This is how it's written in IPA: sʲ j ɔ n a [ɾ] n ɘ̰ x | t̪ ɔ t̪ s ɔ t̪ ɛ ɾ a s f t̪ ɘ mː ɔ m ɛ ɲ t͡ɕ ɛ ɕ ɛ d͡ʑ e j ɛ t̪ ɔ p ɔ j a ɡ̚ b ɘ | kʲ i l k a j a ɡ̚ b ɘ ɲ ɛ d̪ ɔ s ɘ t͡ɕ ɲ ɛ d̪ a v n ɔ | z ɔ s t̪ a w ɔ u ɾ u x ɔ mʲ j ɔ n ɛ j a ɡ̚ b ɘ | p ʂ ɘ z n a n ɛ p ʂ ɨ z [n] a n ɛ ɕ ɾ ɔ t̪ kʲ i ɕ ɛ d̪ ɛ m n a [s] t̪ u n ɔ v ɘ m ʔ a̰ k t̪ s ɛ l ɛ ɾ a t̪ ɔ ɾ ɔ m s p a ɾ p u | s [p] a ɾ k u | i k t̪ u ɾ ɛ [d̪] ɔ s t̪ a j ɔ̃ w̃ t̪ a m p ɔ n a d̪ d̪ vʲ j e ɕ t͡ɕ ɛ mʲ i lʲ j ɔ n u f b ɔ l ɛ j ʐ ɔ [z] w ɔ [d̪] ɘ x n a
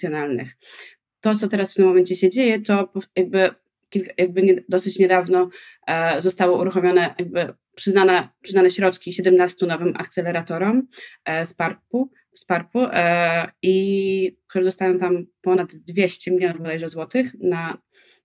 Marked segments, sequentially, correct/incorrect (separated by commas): incorrect, correct, correct, correct, correct, correct, incorrect